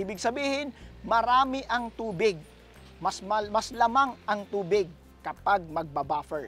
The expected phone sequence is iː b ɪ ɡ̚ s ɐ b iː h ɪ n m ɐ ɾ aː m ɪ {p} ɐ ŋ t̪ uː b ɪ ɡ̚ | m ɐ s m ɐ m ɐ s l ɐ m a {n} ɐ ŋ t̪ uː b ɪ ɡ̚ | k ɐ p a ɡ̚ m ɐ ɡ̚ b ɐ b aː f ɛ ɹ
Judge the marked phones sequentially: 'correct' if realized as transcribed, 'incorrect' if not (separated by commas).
incorrect, incorrect